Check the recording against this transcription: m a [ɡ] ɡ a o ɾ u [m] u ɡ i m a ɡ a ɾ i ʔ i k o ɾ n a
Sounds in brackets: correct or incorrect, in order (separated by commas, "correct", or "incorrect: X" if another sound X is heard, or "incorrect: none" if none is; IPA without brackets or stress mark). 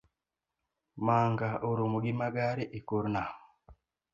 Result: incorrect: ŋ, correct